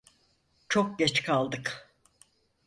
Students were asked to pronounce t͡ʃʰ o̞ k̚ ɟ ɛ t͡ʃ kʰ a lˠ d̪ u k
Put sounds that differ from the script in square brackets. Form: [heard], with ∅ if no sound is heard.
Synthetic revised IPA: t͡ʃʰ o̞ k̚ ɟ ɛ t͡ʃ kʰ a lˠ d̪ [ɯ] k